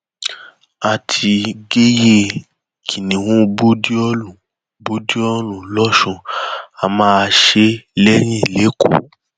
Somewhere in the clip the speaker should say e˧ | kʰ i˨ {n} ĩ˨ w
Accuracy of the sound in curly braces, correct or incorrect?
correct